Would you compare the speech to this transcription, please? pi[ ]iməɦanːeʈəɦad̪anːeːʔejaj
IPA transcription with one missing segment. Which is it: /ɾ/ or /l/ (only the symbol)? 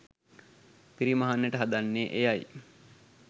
ɾ